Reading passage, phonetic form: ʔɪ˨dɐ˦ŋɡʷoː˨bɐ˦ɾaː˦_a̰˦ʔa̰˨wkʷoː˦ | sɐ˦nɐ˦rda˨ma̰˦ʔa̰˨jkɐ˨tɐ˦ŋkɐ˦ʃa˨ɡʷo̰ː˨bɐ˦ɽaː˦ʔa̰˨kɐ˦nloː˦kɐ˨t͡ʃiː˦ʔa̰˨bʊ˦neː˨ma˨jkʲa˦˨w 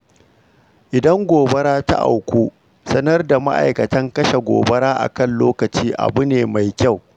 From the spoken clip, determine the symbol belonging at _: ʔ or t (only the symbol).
t